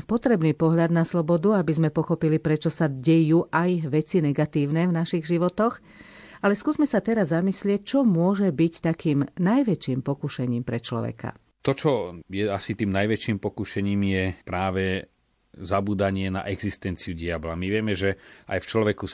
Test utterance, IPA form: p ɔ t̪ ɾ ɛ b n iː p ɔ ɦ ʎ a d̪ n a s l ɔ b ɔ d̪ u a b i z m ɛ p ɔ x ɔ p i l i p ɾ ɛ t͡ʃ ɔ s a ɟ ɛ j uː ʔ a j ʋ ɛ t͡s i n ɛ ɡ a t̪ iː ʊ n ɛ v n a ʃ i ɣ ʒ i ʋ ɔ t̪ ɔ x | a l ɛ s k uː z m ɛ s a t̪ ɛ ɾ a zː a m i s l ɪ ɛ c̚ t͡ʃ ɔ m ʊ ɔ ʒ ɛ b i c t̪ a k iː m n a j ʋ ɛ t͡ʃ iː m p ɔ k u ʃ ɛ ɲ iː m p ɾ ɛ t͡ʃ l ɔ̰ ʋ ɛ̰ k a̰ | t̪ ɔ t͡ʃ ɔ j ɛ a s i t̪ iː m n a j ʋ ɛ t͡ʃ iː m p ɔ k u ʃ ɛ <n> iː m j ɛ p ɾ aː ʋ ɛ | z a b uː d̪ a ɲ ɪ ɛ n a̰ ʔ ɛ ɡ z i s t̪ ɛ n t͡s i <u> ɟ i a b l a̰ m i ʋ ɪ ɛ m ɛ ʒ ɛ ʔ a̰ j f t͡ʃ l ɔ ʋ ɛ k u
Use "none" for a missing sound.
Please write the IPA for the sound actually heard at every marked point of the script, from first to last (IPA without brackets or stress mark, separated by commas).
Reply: ɲ, u